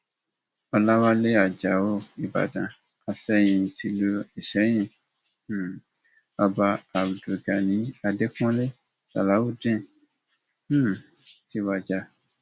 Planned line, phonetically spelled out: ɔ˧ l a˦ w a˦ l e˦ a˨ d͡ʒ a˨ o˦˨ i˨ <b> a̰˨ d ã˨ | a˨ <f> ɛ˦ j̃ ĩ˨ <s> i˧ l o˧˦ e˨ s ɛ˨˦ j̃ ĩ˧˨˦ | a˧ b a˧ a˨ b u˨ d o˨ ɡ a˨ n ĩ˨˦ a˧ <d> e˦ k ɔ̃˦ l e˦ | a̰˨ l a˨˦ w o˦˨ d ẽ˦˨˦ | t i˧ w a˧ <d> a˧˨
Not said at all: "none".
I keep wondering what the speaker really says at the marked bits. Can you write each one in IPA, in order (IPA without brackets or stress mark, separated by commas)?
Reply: b, s, t, d, d͡ʒ